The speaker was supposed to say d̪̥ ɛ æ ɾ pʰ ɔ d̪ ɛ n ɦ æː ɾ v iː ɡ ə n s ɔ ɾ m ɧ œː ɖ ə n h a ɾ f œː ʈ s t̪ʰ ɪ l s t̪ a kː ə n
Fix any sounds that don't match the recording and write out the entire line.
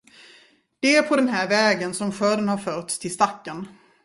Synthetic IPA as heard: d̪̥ ɛ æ ɾ pʰ ɔ d̪ ɛ n ɦ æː ɾ v ɛː ɡ ə n s ɔ m ɧ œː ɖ ə n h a ɾ f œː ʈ s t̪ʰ ɪ l s t̪ a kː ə n